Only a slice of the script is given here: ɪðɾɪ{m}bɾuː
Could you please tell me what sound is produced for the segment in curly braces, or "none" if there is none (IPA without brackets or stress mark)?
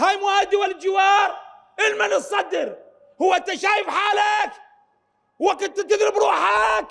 none